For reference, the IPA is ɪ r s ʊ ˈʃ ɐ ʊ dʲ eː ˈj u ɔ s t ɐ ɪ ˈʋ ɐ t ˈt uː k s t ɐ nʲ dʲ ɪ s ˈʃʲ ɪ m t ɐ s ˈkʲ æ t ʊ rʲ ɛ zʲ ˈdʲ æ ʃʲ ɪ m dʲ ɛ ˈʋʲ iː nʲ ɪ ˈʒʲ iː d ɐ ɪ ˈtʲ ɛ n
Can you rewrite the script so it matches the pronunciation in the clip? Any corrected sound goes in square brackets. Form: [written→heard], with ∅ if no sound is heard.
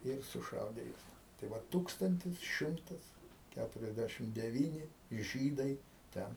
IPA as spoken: ɪ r s ʊ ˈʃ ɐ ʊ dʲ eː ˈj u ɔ s t ɐ ɪ ˈʋ ɐ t ˈt uː k s t ɐ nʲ [dʲ→tʲ] ɪ s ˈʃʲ ɪ m t ɐ s ˈkʲ æ t ʊ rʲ ɛ zʲ ˈdʲ æ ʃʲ ɪ m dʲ ɛ ˈʋʲ iː nʲ ɪ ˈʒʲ iː d ɐ ɪ ˈtʲ ɛ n